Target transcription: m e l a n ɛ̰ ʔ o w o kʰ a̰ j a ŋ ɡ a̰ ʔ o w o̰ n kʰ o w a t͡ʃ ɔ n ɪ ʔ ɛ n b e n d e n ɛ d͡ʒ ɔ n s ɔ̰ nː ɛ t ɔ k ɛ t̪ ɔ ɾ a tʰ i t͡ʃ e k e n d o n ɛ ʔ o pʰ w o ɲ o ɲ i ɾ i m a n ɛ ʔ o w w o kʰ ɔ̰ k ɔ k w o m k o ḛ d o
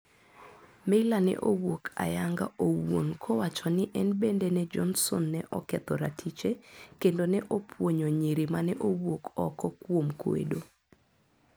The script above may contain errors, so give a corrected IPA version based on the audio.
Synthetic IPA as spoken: m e l a n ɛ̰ ʔ o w o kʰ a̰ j a ŋ ɡ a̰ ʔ o w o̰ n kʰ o w a t͡ʃ ɔ n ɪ ʔ ɛ n b e n d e n ɛ d͡ʒ ɔ n s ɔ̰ nː ɛ ʔ ɔ k ɛ t̪ ɔ ɾ a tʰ i t͡ʃ e k e n d o n ɛ ʔ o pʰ w o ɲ o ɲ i ɾ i m a n ɛ ʔ o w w o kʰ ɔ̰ k ɔ k w o m k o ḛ d o

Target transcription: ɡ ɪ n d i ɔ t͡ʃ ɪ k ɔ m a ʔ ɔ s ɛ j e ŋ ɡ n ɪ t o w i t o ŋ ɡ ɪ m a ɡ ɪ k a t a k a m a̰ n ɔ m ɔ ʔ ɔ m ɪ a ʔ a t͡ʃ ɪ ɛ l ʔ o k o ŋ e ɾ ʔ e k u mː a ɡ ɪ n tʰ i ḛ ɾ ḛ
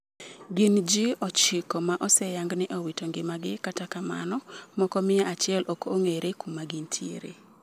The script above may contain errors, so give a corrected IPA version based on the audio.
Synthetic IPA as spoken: ɡ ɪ n d͡ʒ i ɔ t͡ʃ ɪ k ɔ m a ʔ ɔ s ɛ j a ŋ ɡ n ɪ ʔ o w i t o ŋ ɡ ɪ m a ɡ ɪ k a t a k a m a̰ n ɔ m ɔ k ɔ m ɪ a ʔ a t͡ʃ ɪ ɛ l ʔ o k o ŋ e ɾ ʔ e k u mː a ɡ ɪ n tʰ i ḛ ɾ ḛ

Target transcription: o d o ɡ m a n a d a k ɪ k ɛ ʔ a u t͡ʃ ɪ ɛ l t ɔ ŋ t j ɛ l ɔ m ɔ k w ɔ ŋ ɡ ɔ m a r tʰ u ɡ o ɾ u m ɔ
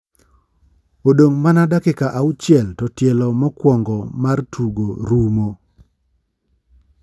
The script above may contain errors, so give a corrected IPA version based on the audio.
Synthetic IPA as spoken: o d o ŋ m a n a d a k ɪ k a ʔ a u t͡ʃ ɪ ɛ l t ɔ t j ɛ l ɔ m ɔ k w ɔ ŋ ɡ ɔ m a r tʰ u ɡ o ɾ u m o

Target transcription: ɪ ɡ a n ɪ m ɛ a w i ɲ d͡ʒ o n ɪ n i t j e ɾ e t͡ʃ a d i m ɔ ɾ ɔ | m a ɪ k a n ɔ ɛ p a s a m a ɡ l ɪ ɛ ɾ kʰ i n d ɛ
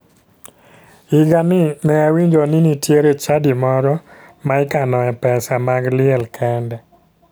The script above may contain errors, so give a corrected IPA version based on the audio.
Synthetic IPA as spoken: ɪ ɡ a n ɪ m ɛ a w i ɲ d͡ʒ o n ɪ n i t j e ɾ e t͡ʃ a d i m ɔ ɾ ɔ | m a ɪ k a n ɔ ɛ p ɛ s a m a ɡ l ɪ ɛ l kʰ ɛ n d ɛ

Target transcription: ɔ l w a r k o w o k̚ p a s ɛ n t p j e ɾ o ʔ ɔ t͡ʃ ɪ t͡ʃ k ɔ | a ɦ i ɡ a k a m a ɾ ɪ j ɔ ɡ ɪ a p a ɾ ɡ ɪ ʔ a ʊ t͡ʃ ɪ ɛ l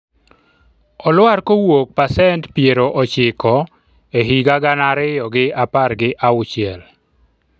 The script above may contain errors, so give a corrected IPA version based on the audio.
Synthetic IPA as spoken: ɔ l w a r k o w o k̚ p a s ɛ n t p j e ɾ o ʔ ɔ t͡ʃ ɪ k ɔ | e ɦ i ɡ a ɡ a n a ɾ ɪ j ɔ ɡ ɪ a p a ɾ ɡ ɪ ʔ a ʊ t͡ʃ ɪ ɛ l

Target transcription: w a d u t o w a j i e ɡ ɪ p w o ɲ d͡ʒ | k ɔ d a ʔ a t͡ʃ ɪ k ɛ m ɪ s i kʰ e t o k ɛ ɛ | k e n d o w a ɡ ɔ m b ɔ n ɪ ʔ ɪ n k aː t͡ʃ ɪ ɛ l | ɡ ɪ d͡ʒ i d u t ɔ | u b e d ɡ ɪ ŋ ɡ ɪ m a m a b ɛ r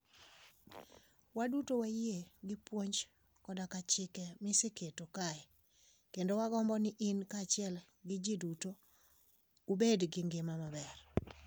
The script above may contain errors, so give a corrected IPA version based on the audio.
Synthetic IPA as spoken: w a d u t o w a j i e ɡ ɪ p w o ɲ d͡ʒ | k ɔ d a k a t͡ʃ ɪ k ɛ m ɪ s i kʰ e t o k a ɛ | k e n d o w a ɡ ɔ m b ɔ n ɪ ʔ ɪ n k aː t͡ʃ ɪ ɛ l | ɡ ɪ d͡ʒ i d u t o | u b e d ɡ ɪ ŋ ɡ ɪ m a m a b ɛ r

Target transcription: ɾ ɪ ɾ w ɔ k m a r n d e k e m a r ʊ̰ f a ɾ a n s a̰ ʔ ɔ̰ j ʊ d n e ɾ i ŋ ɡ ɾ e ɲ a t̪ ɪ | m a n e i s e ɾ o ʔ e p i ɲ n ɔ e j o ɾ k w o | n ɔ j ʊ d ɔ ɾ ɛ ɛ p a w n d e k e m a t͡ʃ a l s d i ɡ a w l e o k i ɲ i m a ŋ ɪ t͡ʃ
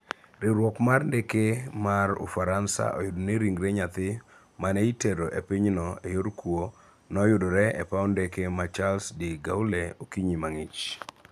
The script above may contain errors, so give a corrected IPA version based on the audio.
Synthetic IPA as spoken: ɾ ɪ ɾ w ɔ k m a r n d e k e m a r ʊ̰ f a ɾ a n s a̰ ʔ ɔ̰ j ʊ d n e ɾ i ŋ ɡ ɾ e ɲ a t̪ ɪ | m a n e i t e ɾ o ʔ e p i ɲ n ɔ e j o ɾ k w o | n ɔ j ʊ d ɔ ɾ ɛ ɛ p a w n d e k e m a t͡ʃ a l s d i ɡ a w l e o k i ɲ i m a ŋ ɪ t͡ʃ

